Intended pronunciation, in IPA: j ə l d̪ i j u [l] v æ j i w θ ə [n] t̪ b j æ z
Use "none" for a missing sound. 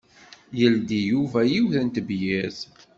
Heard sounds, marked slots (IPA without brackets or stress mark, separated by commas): none, n